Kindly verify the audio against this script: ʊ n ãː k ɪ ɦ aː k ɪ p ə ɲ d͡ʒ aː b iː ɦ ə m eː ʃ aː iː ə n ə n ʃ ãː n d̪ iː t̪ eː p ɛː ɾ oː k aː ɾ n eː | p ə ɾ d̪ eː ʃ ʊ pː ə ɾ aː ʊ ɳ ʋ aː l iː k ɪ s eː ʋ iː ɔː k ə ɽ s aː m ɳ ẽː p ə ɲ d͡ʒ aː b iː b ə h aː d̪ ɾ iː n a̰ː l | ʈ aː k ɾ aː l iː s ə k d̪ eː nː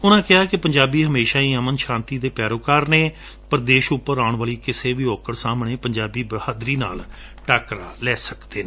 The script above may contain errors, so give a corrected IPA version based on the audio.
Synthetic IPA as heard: ʊ n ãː k ɪ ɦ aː k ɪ p ə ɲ d͡ʒ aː b iː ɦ ə m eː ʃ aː iː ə m ə n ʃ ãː n t̪ iː d̪ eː p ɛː ɾ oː k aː ɾ n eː | p ə ɾ d̪ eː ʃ ʊ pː ə ɾ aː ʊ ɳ ʋ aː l iː k ɪ s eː ʋ iː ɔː k ə ɽ s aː m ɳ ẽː p ə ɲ d͡ʒ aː b iː b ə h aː d̪ ɾ iː n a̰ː l | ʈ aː k ɾ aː l ɛː s ə k d̪ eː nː